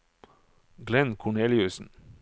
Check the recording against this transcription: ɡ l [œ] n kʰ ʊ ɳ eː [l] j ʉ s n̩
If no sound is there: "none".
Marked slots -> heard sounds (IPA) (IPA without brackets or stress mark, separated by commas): ɛ, l